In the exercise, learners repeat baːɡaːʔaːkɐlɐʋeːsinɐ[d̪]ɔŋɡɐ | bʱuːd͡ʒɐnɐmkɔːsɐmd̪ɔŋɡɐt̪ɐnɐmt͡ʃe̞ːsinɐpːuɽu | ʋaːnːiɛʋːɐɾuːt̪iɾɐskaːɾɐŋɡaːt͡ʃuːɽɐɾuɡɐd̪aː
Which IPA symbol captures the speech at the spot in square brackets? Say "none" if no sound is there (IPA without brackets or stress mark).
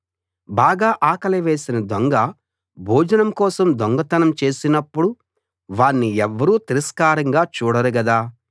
d̪